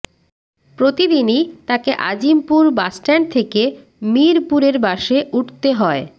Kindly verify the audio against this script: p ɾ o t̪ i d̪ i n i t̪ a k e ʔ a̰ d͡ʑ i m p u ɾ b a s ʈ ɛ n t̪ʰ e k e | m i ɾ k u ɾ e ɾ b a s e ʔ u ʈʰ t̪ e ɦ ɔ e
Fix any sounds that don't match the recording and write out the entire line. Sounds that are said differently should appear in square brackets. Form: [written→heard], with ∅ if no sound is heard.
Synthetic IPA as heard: p ɾ o t̪ i d̪ i n i t̪ a k e ʔ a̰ d͡ʑ i m p u ɾ b a s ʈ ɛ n t̪ʰ e k e | m i ɾ [k→p] u ɾ e ɾ b a [s→ʃ] e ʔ u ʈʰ t̪ e ɦ ɔ e

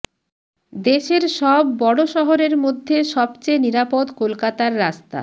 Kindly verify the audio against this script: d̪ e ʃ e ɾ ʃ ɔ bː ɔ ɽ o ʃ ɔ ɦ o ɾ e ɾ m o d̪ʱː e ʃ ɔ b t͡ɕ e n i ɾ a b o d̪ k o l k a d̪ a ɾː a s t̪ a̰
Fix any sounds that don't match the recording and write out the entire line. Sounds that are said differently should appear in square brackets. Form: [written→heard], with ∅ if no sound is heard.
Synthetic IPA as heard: d̪ e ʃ e ɾ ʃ ɔ bː ɔ ɽ o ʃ ɔ ɦ o ɾ e ɾ m o d̪ʱː e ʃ ɔ b t͡ɕ e n i ɾ a [b→p] o d̪ k o l k a [d̪→t̪] a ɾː a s t̪ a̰

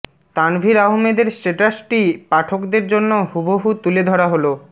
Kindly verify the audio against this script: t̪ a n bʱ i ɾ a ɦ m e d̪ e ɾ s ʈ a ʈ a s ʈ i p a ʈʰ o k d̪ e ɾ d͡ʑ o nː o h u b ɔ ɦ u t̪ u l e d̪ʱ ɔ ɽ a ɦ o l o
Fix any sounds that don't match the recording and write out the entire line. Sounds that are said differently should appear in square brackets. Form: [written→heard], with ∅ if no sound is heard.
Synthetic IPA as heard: t̪ a n bʱ i ɾ a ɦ m e d̪ e ɾ s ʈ [a→e] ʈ a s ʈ i p a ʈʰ o k d̪ e ɾ d͡ʑ o nː o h u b [ɔ→o] ɦ u t̪ u l e d̪ʱ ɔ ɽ a ɦ o l o

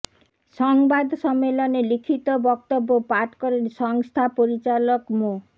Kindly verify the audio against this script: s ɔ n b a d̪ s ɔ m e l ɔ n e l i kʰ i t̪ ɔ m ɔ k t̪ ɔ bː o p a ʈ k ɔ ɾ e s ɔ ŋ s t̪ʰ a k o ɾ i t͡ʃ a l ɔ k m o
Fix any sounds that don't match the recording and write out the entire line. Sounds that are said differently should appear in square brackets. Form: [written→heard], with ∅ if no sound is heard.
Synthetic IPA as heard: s ɔ [n→ŋ] b a d̪ s ɔ m e l ɔ n e l i kʰ i t̪ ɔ [m→b] ɔ k t̪ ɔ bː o p a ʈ k ɔ ɾ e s ɔ ŋ s t̪ʰ a [k→p] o ɾ i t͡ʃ a l ɔ k m o

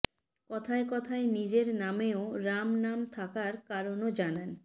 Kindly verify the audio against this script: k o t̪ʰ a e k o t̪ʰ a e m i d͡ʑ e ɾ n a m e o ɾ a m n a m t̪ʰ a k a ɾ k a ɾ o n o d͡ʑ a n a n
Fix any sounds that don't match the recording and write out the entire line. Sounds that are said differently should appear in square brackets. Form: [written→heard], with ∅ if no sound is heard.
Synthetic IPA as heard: k [o→ɔ] t̪ʰ a e k [o→ɔ] t̪ʰ a e [m→n] i d͡ʑ e ɾ n a m e o ɾ a m n a m t̪ʰ a k a ɾ k a ɾ o n o d͡ʑ a n a n

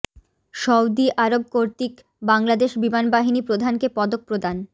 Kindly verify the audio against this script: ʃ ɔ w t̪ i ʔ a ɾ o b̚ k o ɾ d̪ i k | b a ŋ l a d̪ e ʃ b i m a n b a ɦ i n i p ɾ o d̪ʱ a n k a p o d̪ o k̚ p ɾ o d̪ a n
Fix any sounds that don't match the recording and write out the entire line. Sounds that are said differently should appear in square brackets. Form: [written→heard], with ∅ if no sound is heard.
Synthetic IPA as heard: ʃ ɔ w [t̪→d̪] i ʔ a ɾ o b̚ k o ɾ [d̪→t̪] i k | b a ŋ l a d̪ e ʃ b i m a n b a ɦ i n i p ɾ o d̪ʱ a n k [a→e] p [o→ɔ] d̪ o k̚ p ɾ o d̪ a n

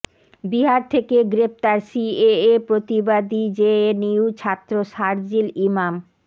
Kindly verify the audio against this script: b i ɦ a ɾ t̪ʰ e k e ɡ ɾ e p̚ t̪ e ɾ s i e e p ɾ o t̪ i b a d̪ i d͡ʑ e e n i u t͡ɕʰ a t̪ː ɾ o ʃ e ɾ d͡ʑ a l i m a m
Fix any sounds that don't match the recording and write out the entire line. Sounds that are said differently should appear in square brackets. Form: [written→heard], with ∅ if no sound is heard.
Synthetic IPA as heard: b i ɦ a ɾ t̪ʰ e k e ɡ ɾ e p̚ t̪ [e→a] ɾ s i e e p ɾ o t̪ i b a d̪ i d͡ʑ e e n i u t͡ɕʰ a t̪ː ɾ o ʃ [e→a] ɾ d͡ʑ [a→i] l i m a m

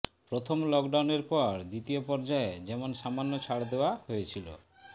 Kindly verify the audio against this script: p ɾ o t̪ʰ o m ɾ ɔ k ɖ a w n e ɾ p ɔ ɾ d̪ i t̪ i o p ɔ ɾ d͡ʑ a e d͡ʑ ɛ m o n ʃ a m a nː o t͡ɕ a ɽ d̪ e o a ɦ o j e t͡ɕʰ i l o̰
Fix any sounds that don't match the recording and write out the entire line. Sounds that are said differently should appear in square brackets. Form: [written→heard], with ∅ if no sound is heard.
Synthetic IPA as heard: p ɾ o t̪ʰ o m [ɾ→l] ɔ k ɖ a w n e ɾ p ɔ ɾ d̪ i t̪ i o p ɔ ɾ d͡ʑ a e d͡ʑ ɛ m o n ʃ a m a nː o [t͡ɕ→t͡ɕʰ] a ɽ d̪ e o a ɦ o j e t͡ɕʰ i l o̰

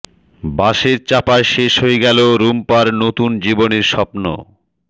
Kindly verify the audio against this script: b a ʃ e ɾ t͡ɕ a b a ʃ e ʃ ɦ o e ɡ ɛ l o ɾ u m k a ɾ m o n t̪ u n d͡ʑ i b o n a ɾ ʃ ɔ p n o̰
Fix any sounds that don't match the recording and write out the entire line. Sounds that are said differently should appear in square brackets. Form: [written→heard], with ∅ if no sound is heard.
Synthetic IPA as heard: b a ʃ e ɾ t͡ɕ a [b→p] a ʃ e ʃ ɦ o e ɡ ɛ l o ɾ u m [k→p] a ɾ [m→n] o [n→∅] t̪ u n d͡ʑ i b o n [a→e] ɾ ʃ ɔ p n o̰

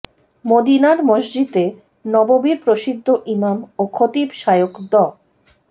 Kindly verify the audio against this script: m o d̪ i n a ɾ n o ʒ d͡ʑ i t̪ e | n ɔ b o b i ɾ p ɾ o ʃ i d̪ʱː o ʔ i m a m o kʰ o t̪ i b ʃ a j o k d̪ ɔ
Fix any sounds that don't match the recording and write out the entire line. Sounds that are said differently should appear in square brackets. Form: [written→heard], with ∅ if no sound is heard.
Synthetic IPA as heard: m o d̪ i n a ɾ [n→m] o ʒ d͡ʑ i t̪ e | n ɔ b o b i ɾ p ɾ o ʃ i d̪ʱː o ʔ i m a m o kʰ o t̪ i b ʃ a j o k d̪ ɔ

